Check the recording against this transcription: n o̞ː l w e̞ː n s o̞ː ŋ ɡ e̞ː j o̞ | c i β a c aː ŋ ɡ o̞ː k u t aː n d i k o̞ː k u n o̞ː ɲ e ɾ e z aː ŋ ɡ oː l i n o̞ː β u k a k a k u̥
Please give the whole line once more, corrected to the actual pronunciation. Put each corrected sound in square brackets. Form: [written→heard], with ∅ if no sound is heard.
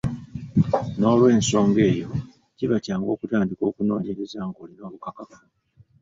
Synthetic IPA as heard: n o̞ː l w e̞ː n s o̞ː ŋ ɡ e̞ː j o̞ | c i β a c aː ŋ ɡ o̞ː k u t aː n d i k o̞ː k u n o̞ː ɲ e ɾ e z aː ŋ ɡ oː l i n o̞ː β u k a k a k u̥